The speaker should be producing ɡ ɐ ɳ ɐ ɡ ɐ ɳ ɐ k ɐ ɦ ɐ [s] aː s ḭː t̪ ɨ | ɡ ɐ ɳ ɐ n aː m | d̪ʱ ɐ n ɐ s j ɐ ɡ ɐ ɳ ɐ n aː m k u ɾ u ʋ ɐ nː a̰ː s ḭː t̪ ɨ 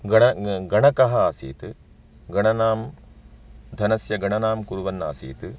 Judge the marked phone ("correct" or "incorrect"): incorrect